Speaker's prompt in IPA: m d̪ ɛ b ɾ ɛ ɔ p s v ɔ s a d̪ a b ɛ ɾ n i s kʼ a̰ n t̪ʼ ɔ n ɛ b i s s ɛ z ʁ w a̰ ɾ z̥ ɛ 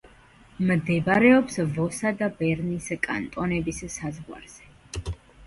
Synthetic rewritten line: m d̪ ɛ b ɾ ɛ ɔ p s v ɔ s a d̪ a b ɛ ɾ n i s kʼ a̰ n t̪ʼ ɔ n ɛ b i s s a z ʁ w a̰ ɾ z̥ ɛ